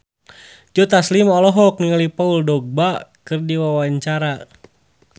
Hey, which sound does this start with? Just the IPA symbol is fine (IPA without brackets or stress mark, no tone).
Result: d͡ʒ